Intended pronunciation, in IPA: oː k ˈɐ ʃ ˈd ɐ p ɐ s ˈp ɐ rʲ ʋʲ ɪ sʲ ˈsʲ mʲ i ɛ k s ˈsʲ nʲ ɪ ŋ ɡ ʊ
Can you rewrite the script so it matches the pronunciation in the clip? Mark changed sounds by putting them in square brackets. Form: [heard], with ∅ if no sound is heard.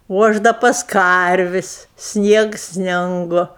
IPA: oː [∅] ˈɐ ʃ ˈd ɐ p ɐ s [ˈk] ɐ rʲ ʋʲ ɪ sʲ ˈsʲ [nʲ] i ɛ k s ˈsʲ nʲ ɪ ŋ ɡ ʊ